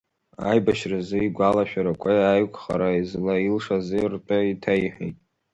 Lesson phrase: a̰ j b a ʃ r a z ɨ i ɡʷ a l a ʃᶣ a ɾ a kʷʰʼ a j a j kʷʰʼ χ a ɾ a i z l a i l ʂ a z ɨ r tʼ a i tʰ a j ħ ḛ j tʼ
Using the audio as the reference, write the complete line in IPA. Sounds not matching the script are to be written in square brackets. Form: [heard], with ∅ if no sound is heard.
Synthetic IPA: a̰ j b a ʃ r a z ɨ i ɡʷ a l a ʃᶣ a ɾ a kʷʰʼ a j a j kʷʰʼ χ a ɾ a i z l a i l ʂ a z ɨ r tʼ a i tʰ a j ħ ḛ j tʼ